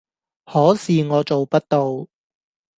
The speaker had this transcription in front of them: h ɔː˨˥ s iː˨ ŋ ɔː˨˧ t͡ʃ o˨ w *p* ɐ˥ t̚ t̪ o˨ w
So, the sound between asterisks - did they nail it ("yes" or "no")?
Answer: yes